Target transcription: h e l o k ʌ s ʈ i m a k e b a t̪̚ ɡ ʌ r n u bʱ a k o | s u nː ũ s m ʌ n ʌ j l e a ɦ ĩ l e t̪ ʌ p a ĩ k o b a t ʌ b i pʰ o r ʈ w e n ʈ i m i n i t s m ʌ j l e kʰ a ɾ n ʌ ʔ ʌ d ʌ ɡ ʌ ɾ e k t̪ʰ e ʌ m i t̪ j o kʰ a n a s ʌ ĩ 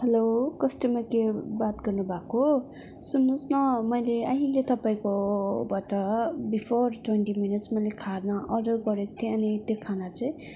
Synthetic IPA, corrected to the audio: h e l o k ʌ s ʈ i m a k e b a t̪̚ ɡ ʌ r n u bʱ a k o | s u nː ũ s n ʌ m ʌ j l e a ɦ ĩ l e t̪ ʌ p a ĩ k o b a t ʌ b i pʰ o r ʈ w e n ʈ i m i n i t s m ʌ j l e kʰ a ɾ n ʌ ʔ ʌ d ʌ ɡ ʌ ɾ e k t̪ʰ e ʌ n i t̪ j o kʰ a n a t͡s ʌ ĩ